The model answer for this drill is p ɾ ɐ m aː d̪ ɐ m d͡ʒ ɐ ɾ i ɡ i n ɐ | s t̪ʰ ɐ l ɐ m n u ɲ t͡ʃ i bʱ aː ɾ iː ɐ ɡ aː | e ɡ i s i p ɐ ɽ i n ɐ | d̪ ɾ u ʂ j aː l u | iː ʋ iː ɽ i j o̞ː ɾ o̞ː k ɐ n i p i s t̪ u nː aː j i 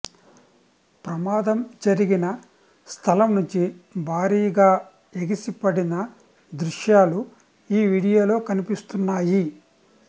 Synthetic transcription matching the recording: p ɾ ɐ m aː d̪ ɐ m d͡ʒ ɐ ɾ i ɡ i n ɐ | s t̪ʰ ɐ l ɐ m n u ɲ t͡ʃ i bʱ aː ɾ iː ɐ ɡ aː | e ɡ i s i p ɐ ɽ i n ɐ | d̪ ɾ u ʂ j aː l u | iː ʋ iː ɽ i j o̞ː l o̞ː k ɐ n i p i s t̪ u nː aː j i